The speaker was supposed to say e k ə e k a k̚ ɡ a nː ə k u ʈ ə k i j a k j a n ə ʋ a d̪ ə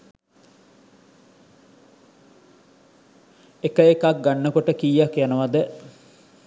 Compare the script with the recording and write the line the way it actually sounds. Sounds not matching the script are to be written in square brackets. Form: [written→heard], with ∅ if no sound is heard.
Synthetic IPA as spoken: e k ə e k a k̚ ɡ a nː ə k [u→o] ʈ ə k i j a k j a n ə ʋ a d̪ ə